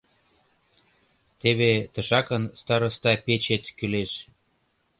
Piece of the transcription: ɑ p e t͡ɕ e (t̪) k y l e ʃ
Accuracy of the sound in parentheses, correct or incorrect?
correct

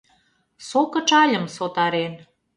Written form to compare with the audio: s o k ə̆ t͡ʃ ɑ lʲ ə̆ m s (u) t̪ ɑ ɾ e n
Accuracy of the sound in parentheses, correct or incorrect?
incorrect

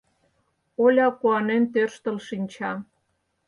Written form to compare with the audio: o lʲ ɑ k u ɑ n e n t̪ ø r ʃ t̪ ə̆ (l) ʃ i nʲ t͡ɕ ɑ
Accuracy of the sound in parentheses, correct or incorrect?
correct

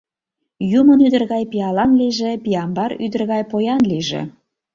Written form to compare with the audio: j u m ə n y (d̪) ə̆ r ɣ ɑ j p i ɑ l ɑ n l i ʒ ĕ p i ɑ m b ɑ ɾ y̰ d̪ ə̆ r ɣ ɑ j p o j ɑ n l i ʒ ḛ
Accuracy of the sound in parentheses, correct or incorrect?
correct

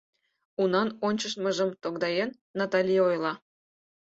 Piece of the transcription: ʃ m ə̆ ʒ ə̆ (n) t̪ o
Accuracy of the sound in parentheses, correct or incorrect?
incorrect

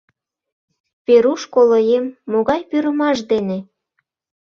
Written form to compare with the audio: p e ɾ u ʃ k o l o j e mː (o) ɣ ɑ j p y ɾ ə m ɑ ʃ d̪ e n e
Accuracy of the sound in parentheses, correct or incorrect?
correct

